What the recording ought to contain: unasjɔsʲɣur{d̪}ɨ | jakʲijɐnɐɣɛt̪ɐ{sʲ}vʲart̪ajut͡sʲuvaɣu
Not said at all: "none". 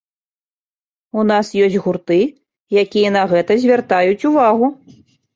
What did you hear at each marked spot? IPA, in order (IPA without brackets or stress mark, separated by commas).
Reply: t̪, zʲ